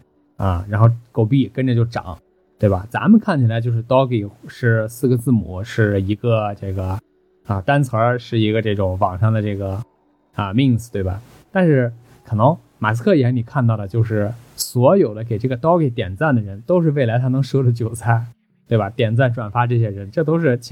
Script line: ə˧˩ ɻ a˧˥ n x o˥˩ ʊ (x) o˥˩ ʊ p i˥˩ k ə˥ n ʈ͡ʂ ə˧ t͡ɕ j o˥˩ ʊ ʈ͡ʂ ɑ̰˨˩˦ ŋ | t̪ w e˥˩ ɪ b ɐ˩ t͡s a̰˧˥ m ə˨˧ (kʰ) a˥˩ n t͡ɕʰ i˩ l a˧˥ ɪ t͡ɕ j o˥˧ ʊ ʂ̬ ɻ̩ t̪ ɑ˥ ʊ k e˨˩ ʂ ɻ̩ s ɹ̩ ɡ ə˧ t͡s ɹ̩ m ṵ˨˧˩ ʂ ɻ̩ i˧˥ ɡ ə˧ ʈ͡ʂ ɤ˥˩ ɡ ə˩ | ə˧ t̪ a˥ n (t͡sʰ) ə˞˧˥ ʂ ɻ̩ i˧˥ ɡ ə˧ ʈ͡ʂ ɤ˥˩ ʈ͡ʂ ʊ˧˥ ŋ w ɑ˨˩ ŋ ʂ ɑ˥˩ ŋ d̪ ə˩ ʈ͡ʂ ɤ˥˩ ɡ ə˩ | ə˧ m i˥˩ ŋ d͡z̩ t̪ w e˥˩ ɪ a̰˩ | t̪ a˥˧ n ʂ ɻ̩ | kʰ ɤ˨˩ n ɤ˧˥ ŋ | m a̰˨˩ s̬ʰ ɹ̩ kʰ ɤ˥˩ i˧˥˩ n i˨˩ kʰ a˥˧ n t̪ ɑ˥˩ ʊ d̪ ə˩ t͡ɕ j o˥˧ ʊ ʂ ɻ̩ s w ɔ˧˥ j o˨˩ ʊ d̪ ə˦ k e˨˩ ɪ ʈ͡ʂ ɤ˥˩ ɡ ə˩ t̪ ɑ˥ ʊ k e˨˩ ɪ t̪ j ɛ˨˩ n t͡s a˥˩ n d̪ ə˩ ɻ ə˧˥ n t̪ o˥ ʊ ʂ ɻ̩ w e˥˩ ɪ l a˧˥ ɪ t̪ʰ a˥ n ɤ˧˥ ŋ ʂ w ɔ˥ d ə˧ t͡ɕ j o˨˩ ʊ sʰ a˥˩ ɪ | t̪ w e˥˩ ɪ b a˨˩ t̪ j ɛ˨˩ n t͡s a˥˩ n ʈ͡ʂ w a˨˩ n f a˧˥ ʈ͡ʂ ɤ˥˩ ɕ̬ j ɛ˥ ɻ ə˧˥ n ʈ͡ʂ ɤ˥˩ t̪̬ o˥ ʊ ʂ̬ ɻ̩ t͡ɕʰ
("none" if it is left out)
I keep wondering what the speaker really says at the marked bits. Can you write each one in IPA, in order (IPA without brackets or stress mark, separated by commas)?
k, kʰ, t͡sʰ